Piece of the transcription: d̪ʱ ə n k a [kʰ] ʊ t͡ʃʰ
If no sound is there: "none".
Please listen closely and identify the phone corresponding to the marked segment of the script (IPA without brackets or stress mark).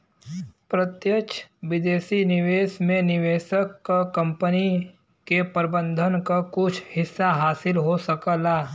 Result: k